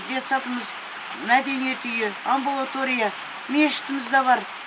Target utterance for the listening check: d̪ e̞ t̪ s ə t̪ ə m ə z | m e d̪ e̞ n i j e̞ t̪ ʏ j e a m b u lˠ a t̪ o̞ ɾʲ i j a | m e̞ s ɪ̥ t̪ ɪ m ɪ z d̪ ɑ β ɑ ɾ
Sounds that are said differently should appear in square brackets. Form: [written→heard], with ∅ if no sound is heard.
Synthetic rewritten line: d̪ e̞ t̪ s [ə→ɑ] t̪ ə m ə z | m [e→æ] d̪ e̞ n i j e̞ t̪ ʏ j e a m b u lˠ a t̪ o̞ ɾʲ i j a | m e̞ [s→ʃ] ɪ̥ t̪ ɪ m ɪ z d̪ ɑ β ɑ ɾ